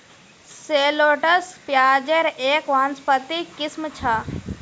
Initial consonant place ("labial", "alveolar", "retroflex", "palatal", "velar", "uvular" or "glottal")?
alveolar